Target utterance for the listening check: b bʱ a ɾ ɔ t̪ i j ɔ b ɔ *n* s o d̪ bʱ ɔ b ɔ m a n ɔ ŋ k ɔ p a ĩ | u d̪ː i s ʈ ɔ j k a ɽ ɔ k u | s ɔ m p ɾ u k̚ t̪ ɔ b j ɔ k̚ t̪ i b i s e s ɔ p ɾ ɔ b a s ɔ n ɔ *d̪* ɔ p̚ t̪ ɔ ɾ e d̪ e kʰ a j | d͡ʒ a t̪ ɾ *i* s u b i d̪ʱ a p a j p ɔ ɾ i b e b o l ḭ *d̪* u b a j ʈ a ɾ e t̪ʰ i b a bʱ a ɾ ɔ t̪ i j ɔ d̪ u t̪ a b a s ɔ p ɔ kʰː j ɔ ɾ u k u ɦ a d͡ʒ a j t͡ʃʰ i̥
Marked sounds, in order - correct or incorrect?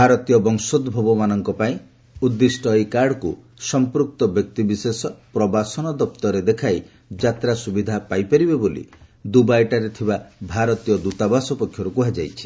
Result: incorrect: ŋ, correct, incorrect: a, correct

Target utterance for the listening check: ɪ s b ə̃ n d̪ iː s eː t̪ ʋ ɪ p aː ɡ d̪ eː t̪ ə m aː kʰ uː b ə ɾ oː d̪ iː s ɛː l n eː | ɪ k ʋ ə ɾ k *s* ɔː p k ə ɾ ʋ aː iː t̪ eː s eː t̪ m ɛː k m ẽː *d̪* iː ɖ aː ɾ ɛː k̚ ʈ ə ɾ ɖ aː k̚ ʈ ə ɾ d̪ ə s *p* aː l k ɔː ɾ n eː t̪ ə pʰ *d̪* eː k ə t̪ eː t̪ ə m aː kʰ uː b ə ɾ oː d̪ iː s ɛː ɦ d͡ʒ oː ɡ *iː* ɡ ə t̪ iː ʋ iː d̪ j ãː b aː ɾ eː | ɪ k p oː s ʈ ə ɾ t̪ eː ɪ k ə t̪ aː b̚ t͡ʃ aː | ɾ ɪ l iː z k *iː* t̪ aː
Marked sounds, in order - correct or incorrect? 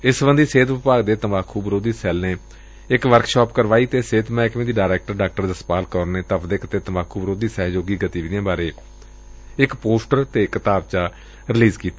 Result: incorrect: ʃ, correct, correct, correct, correct, correct

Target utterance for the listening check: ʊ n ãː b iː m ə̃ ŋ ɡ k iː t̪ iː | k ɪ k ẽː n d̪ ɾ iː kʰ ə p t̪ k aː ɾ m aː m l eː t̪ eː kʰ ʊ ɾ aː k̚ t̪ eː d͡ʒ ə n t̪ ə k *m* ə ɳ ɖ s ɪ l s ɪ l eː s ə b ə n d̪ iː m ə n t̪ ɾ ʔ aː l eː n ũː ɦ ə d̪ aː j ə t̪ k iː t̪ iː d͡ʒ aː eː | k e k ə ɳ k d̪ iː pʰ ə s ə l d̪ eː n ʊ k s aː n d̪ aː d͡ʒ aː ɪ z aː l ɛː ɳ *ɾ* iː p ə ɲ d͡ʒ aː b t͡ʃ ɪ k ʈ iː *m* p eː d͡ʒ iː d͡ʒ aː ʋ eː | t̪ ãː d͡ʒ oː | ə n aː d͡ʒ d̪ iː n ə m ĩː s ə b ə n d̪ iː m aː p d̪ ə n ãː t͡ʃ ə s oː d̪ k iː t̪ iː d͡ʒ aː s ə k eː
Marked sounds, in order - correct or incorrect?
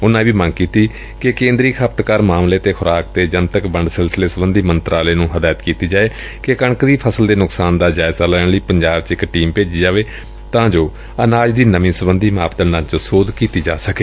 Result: incorrect: b, incorrect: l, correct

